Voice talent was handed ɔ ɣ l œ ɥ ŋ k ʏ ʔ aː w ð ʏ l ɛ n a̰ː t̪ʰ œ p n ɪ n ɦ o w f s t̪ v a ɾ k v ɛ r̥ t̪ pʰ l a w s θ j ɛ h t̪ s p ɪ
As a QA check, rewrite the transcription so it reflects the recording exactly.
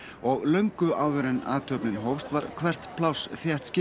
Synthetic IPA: ɔ ɣ l œ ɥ ŋ k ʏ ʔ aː w ð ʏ ɾ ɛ n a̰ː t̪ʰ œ p n ɪ n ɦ o w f s t̪ v a ɾ kʰ v ɛ r̥ t̪ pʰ l a w s θ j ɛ h t̪ s c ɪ